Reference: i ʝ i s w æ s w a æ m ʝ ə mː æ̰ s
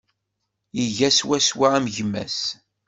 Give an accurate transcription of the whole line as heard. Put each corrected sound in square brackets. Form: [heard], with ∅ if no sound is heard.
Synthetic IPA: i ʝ [æ] s w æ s w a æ m ʝ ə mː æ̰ s